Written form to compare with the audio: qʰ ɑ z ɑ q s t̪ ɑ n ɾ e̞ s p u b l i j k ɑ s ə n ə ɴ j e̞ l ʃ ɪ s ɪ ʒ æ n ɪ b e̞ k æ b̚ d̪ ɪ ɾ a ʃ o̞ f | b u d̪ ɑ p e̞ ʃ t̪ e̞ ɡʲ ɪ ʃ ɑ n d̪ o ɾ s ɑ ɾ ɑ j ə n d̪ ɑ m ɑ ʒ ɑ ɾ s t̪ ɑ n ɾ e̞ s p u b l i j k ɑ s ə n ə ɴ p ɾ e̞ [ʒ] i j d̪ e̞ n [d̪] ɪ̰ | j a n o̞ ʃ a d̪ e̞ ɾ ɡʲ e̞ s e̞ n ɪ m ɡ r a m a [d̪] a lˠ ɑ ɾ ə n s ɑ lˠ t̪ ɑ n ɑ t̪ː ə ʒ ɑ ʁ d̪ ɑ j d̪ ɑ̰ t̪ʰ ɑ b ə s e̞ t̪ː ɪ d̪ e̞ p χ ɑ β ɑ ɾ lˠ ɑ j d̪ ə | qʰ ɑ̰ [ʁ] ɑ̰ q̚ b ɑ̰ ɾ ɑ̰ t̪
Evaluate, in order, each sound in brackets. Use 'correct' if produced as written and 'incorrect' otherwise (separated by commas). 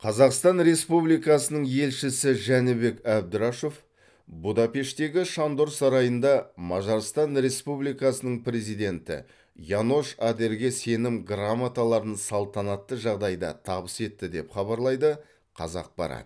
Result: incorrect, incorrect, incorrect, incorrect